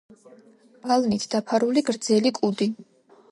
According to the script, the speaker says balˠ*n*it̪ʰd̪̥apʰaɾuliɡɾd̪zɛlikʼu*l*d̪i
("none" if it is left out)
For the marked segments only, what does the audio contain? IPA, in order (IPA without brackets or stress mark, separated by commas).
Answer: n, none